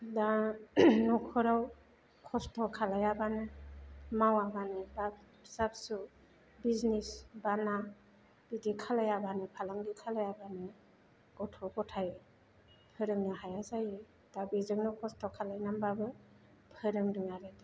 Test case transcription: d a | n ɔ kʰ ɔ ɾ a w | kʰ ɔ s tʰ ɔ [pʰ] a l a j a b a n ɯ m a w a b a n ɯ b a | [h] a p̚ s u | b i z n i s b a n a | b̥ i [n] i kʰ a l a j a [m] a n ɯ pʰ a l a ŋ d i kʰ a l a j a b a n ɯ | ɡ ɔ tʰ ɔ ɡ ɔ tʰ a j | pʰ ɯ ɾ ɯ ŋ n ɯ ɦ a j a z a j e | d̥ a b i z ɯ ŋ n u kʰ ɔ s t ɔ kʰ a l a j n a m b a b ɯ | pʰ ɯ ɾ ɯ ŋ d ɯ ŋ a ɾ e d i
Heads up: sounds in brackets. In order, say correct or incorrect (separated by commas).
incorrect, incorrect, incorrect, incorrect